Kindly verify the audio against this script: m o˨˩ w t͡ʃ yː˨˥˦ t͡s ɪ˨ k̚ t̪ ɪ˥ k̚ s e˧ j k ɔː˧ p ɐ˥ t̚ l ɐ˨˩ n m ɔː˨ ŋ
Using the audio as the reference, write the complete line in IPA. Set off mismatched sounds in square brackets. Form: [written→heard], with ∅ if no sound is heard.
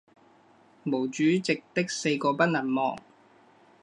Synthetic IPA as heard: m o˨˩ w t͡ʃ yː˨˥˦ t͡s ɪ˨ k̚ t̪ ɪ˥ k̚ s e˧ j k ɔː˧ p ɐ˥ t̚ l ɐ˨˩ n m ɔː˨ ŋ